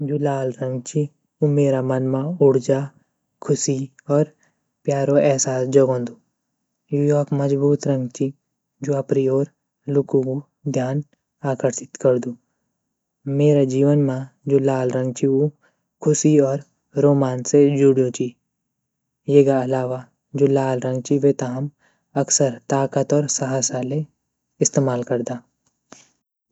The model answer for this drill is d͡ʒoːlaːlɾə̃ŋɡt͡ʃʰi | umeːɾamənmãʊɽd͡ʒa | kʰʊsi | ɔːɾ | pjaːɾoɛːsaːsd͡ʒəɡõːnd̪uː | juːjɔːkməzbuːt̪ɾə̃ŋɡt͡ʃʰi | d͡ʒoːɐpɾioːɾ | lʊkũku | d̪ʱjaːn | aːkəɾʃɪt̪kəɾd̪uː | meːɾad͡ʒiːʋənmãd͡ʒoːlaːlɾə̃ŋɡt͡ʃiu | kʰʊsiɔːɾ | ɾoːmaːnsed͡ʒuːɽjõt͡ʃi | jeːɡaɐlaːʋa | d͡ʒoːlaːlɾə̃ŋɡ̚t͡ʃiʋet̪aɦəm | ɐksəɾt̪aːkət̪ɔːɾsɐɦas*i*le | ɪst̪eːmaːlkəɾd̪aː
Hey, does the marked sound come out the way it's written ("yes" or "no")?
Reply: no